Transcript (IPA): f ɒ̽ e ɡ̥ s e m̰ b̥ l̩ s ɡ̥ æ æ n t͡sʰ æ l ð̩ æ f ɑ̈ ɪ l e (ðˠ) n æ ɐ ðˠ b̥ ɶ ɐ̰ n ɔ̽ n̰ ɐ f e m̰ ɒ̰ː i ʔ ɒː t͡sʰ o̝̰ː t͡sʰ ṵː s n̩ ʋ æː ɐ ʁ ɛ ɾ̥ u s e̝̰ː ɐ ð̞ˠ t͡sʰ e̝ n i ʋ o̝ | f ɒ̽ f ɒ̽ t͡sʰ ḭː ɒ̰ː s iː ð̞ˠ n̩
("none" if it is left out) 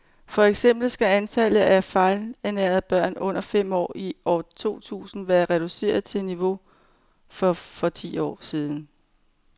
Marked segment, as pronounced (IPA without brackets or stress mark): none